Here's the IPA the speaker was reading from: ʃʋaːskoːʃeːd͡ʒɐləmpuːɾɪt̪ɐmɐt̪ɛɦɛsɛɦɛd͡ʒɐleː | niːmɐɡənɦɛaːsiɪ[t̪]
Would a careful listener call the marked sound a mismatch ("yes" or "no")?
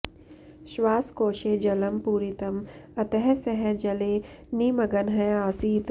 no